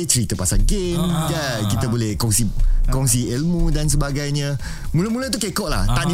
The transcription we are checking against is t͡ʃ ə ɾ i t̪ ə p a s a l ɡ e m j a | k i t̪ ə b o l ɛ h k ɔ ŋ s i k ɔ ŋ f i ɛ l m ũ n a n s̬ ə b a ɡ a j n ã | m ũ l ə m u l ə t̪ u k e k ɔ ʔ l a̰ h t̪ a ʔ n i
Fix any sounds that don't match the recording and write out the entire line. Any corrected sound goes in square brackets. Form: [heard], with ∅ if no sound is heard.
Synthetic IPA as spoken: t͡ʃ ə ɾ i t̪ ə p a s a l ɡ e m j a | k i t̪ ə b o l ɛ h k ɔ ŋ s i k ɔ ŋ [s] i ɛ l m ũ [d] a n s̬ ə b a ɡ a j [ɲ] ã | m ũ l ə m u l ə t̪ u k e k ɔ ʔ l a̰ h t̪ a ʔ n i